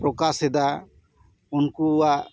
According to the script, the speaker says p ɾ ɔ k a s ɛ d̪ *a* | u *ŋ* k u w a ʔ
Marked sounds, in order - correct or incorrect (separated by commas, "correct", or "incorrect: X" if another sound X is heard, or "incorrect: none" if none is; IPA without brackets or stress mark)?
correct, incorrect: n